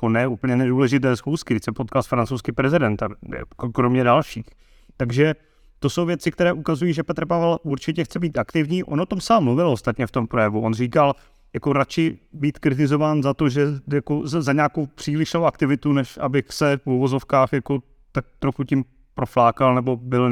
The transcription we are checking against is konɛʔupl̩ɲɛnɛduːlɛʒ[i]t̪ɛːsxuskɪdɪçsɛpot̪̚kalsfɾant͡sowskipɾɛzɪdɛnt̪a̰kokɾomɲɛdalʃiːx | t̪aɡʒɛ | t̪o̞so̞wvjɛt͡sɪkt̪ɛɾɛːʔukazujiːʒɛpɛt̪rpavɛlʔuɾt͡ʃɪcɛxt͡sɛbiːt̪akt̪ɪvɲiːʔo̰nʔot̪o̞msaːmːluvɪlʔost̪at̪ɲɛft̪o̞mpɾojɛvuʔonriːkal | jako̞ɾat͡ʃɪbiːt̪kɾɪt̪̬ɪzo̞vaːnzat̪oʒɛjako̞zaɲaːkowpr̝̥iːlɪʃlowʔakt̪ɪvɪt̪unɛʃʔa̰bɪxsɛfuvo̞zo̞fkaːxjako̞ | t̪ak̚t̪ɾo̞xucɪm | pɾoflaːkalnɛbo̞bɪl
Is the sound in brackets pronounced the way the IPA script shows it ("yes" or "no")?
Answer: no